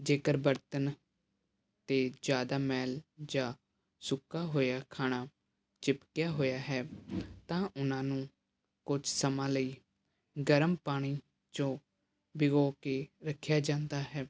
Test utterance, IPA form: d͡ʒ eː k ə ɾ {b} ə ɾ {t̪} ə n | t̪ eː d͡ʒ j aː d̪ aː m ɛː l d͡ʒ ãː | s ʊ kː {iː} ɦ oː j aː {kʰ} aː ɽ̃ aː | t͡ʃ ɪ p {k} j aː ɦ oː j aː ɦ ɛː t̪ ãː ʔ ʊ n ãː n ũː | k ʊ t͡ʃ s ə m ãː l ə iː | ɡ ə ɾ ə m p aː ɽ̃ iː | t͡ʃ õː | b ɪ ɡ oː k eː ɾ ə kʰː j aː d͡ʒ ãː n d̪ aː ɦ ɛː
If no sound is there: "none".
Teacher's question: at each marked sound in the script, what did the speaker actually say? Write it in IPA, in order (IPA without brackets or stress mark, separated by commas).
b, t̪, aː, kʰ, k